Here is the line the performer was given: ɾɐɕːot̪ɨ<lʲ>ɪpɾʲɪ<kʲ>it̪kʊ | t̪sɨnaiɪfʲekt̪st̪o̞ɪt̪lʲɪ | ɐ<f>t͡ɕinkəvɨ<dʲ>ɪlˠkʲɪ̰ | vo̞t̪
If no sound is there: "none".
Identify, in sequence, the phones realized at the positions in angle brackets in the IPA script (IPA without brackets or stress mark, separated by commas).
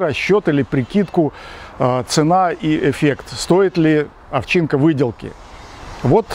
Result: lʲ, kʲ, f, dʲ